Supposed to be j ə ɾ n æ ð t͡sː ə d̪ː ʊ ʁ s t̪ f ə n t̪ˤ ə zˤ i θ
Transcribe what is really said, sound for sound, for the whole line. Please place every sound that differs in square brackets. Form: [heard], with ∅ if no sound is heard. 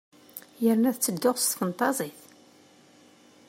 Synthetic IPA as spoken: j ə ɾ n æ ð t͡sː ə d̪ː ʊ ʁ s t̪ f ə n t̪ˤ [ɑ] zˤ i θ